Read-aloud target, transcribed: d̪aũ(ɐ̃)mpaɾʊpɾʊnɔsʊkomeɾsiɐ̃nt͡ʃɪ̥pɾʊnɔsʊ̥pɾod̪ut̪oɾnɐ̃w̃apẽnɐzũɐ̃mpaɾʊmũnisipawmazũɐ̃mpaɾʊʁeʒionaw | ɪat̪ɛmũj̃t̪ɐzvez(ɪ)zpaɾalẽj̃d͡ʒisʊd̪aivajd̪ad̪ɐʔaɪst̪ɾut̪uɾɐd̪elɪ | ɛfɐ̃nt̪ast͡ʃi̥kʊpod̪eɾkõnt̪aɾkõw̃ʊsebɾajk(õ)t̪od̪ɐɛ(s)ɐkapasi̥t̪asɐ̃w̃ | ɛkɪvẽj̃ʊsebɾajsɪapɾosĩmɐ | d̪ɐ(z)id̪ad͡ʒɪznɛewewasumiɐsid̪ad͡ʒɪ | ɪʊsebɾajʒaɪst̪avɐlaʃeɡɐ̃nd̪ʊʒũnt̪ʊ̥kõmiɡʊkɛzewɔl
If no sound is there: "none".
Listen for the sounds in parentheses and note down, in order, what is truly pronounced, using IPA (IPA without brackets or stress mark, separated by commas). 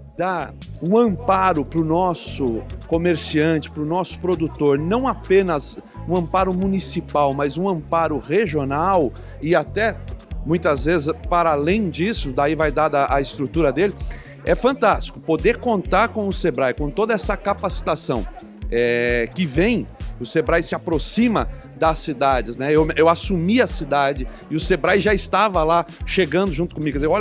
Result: ɐ̃, ɪ, õ, s, s